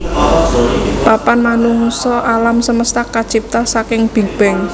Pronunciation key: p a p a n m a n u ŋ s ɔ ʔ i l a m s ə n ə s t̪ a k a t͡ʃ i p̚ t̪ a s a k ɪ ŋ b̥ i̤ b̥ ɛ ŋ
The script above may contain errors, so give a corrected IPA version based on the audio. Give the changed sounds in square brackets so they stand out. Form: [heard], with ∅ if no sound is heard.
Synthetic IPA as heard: p a p a n m a n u ŋ s ɔ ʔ [a] l a m s ə [m] ə s t̪ a k a t͡ʃ i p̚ t̪ a s a k ɪ ŋ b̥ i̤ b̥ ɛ ŋ